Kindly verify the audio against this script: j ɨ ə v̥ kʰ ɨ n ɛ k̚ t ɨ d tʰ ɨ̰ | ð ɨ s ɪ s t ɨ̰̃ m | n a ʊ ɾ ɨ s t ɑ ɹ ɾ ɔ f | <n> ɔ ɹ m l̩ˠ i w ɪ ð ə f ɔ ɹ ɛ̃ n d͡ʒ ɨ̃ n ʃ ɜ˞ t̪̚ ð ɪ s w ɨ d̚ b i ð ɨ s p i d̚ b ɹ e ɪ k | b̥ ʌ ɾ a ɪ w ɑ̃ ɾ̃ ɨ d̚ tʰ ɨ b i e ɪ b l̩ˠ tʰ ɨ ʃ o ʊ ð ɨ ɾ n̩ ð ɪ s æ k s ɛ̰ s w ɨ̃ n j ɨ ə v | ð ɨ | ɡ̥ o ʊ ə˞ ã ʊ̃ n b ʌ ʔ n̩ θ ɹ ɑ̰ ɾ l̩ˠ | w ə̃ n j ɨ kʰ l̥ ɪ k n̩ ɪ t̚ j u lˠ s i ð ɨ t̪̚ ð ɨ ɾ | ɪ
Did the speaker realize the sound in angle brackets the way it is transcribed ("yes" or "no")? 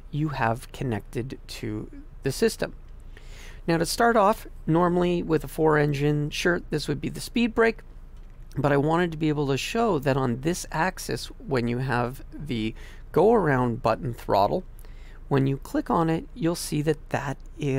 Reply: yes